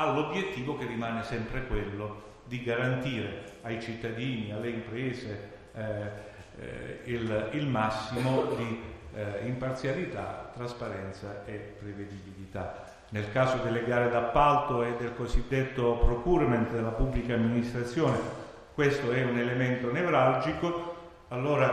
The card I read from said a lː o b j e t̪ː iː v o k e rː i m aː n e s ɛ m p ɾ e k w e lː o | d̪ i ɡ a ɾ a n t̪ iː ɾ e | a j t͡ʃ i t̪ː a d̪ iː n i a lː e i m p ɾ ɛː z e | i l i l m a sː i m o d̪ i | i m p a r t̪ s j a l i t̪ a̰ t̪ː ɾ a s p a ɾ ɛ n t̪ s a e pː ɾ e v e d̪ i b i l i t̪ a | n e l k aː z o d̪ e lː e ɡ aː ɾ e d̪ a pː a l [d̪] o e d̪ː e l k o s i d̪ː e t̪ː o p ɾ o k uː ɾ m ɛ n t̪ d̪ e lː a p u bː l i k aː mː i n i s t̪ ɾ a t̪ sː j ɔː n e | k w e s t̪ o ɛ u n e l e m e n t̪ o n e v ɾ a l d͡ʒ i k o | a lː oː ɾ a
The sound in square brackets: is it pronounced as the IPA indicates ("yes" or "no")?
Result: no